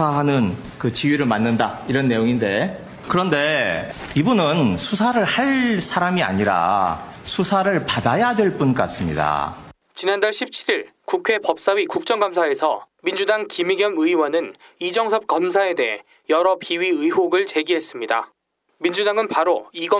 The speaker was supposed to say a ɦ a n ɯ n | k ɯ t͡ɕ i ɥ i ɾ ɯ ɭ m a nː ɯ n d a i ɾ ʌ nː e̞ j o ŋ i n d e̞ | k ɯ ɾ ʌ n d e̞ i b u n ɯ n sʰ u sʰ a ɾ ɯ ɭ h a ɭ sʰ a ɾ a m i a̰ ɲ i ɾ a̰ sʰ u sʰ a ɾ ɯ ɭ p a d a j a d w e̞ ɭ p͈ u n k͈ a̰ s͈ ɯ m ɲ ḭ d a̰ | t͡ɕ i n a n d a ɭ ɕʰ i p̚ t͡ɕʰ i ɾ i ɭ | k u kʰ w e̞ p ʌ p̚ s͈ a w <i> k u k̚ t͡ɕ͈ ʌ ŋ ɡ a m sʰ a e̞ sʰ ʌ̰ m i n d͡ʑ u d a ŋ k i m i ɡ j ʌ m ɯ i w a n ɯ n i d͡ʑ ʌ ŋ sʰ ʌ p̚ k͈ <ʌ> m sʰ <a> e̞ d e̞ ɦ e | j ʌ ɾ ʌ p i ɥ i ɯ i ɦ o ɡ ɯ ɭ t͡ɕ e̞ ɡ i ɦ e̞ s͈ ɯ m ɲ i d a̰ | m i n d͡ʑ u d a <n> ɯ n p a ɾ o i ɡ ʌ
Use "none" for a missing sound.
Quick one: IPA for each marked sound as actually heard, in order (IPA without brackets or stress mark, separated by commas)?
i, ʌ, a, ŋ